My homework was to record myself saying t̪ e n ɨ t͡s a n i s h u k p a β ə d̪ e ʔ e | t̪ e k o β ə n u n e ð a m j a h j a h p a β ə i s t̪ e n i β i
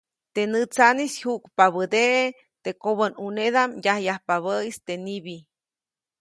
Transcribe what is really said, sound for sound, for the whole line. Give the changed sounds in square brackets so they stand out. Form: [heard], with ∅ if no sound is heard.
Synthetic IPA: t̪ e n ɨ t͡s a n i s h u k p a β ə d̪ e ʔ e | t̪ e k o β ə n u n e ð a m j a h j a h p a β ə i s t̪ e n i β i